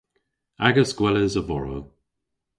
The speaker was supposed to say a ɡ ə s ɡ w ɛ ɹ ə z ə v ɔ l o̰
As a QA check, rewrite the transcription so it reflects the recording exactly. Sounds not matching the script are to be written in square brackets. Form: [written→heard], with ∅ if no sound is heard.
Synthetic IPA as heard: a ɡ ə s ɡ w ɛ [ɹ→l] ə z ə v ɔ [l→ɹ] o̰